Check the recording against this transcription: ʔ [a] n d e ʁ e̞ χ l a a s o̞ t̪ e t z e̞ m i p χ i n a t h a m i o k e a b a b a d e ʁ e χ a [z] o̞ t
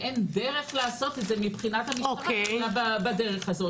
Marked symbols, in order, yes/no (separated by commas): no, yes